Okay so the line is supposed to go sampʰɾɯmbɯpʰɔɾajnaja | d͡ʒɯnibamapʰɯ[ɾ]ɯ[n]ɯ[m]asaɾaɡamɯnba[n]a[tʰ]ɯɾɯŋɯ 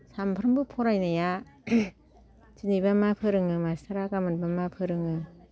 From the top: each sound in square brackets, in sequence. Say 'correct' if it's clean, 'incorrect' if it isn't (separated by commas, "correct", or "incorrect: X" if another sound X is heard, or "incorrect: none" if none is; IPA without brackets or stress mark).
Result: correct, incorrect: ŋ, correct, incorrect: m, incorrect: pʰ